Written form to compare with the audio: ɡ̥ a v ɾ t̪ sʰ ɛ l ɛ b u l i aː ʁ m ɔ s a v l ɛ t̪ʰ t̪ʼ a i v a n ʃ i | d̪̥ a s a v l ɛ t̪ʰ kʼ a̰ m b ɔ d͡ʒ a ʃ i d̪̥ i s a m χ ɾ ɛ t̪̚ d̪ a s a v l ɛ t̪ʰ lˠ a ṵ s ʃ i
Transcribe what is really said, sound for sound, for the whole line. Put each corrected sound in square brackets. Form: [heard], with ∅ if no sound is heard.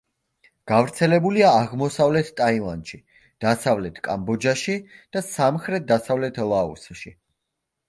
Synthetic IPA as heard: ɡ̥ a v ɾ t̪ sʰ ɛ l ɛ b u l i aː ʁ m ɔ s a v l ɛ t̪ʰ t̪ʼ a i v a n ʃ i | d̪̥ a s a v l ɛ t̪ʰ kʼ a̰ m b ɔ d͡ʒ a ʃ i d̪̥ [a] s a m χ ɾ ɛ t̪̚ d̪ a s a v l ɛ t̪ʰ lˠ a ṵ s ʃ i